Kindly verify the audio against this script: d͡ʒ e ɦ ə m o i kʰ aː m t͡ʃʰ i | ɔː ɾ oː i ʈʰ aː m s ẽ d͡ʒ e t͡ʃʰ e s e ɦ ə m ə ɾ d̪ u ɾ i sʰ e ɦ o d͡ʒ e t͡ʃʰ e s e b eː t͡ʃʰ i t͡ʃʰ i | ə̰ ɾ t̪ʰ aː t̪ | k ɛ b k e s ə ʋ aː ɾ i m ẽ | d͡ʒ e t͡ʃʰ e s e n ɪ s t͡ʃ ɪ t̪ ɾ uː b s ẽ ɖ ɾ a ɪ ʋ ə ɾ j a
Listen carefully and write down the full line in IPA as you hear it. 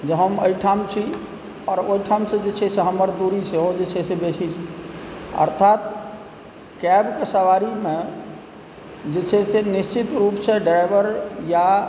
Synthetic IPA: d͡ʒ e ɦ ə m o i ʈʰ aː m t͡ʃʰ i | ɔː ɾ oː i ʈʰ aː m s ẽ d͡ʒ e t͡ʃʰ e s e ɦ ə m ə ɾ d̪ u ɾ i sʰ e ɦ o d͡ʒ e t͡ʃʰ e s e b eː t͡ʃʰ i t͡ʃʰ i | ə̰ ɾ t̪ʰ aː t̪ | k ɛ b k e s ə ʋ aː ɾ i m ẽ | d͡ʒ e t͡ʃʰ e s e n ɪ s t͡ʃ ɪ t̪ ɾ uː p s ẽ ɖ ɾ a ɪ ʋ ə ɾ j a